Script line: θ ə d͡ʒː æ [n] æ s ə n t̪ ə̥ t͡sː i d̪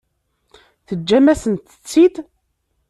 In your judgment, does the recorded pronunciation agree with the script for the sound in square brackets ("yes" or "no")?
no